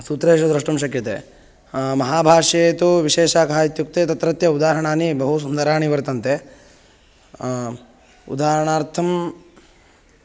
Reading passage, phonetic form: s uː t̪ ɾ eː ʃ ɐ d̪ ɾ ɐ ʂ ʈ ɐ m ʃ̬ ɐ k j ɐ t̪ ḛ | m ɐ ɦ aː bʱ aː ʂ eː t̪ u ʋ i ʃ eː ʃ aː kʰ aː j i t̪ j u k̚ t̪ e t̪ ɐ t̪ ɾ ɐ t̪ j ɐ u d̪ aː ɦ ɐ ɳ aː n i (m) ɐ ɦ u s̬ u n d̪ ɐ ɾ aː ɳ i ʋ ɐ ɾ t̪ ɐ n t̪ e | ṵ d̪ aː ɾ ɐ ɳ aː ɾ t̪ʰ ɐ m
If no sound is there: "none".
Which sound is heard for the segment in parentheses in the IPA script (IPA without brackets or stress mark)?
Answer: b